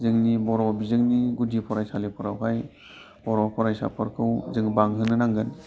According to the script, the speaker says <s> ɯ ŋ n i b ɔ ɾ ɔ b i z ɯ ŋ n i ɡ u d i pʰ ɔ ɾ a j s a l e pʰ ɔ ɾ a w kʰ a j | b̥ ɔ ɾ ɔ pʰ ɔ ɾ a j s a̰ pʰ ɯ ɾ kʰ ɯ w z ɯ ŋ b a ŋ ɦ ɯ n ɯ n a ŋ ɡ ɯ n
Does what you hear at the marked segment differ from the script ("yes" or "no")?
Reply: yes